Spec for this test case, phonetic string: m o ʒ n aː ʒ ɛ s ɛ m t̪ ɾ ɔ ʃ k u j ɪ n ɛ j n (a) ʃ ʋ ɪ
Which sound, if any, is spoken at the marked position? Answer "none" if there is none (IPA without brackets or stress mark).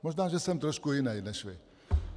ɛ